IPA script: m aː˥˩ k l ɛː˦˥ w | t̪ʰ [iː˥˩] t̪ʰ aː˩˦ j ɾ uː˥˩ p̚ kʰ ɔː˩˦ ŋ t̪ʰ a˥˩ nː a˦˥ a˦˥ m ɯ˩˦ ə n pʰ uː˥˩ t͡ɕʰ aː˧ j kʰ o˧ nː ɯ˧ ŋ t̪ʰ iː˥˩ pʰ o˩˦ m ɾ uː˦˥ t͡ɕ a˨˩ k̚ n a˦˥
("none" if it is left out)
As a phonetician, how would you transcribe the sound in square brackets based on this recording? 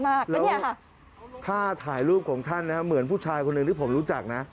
aː˥˩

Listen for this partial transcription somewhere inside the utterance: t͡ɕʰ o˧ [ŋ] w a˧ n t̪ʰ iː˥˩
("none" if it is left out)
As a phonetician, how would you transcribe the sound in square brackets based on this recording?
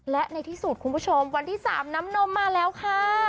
m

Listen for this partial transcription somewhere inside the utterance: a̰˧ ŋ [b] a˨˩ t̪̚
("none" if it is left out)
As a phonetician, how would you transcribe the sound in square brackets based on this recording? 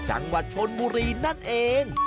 w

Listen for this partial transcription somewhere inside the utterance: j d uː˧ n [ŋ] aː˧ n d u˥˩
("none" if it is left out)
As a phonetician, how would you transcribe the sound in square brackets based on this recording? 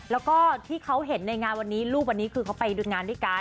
ŋ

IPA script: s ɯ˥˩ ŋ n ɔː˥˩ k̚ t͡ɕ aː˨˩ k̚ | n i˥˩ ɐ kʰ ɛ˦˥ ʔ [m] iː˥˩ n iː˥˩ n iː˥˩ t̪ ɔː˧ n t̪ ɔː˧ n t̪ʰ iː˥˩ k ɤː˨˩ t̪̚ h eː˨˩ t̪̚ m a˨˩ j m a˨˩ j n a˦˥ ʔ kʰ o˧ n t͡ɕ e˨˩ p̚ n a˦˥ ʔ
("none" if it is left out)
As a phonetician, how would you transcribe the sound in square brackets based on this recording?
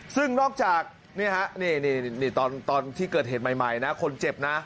n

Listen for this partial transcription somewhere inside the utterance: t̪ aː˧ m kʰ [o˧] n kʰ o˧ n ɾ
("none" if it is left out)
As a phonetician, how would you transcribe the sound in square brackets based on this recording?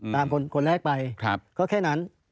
o˧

